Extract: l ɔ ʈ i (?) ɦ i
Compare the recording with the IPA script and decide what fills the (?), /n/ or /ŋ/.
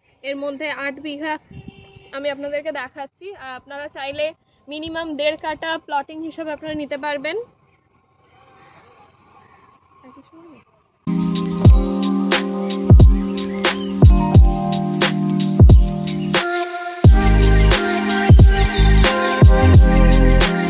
ŋ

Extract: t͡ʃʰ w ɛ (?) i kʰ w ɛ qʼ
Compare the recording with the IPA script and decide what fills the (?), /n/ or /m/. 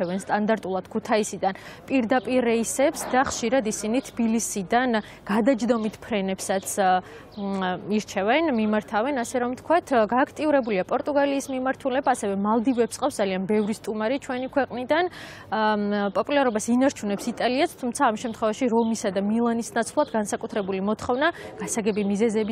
n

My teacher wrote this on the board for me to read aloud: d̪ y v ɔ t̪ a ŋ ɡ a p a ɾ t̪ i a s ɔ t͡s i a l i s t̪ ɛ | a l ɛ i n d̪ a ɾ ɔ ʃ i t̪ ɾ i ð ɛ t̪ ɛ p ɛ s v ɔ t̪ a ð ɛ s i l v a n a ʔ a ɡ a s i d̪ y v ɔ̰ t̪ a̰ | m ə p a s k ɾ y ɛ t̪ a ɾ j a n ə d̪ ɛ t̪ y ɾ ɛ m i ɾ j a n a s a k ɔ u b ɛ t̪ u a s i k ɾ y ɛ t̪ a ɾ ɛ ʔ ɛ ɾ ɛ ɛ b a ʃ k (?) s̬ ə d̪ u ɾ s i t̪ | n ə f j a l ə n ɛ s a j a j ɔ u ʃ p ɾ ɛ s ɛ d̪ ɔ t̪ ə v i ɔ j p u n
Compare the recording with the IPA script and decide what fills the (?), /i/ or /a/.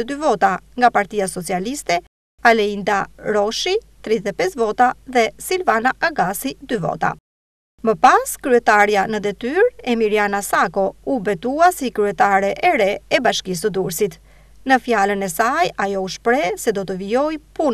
i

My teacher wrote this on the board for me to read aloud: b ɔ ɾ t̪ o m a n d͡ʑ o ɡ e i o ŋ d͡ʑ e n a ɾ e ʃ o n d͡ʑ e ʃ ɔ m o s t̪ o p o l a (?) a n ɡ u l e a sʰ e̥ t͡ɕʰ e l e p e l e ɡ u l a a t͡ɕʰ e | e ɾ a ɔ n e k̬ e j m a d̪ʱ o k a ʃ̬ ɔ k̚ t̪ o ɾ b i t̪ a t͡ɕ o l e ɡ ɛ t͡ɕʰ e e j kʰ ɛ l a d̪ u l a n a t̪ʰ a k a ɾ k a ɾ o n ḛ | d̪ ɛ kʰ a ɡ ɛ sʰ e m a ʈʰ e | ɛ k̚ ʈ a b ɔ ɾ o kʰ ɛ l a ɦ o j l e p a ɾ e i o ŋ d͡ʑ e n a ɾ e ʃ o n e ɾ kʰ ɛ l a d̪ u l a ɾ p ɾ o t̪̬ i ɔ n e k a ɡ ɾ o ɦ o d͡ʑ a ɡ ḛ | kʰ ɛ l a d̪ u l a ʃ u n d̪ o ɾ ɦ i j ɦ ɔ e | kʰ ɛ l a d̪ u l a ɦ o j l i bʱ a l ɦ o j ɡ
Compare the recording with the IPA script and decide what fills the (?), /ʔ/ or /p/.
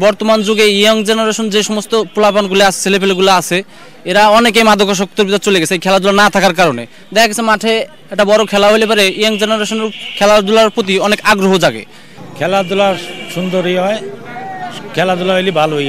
p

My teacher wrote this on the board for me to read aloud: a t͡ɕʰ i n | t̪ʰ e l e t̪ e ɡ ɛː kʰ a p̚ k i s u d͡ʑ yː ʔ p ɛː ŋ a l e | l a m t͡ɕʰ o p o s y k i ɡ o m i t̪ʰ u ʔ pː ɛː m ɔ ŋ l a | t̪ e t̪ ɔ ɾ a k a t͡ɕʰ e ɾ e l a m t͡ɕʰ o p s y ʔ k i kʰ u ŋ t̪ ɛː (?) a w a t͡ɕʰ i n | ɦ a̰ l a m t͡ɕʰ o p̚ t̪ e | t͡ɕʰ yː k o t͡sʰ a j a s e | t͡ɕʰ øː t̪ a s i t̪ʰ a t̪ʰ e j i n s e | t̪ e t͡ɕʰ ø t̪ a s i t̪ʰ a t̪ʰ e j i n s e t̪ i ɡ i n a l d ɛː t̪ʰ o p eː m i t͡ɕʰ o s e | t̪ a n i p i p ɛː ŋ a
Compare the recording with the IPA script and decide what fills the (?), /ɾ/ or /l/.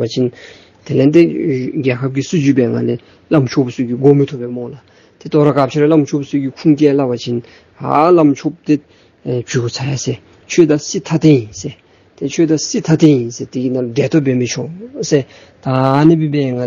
l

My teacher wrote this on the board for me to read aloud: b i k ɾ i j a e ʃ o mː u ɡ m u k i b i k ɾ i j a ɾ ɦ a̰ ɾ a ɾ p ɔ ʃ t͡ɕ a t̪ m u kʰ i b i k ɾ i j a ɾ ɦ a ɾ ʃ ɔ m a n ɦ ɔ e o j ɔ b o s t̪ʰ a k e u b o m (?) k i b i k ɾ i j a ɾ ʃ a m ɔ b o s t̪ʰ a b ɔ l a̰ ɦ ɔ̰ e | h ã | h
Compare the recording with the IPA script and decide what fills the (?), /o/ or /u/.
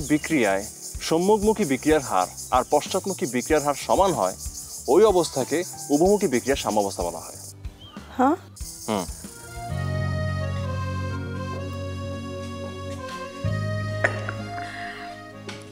u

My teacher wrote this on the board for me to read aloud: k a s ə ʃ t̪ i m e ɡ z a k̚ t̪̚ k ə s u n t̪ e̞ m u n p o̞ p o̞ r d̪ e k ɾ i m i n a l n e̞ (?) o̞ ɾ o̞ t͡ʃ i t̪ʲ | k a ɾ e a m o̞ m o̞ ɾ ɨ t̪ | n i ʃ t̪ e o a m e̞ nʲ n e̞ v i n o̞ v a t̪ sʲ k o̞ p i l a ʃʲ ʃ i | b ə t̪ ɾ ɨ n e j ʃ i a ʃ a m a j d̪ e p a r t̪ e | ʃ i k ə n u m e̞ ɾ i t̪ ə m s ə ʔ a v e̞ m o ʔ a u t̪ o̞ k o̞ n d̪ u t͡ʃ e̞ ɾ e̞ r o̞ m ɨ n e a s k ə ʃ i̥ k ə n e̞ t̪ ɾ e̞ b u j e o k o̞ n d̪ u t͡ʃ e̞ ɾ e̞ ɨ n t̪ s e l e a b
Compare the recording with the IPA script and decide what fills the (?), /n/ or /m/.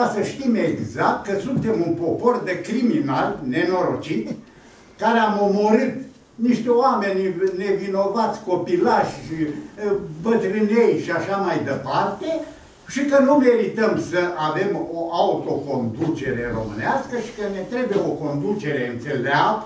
n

